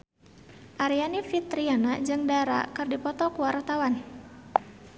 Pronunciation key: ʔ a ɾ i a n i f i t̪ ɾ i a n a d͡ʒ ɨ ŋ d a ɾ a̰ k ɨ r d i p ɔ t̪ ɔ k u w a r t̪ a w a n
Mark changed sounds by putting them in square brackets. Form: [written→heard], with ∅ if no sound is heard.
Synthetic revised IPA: ʔ a ɾ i a n i f i t̪ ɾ i a n a d͡ʒ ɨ ŋ d a ɾ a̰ k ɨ r d i p ɔ t̪ ɔ k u w a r t̪ a w a n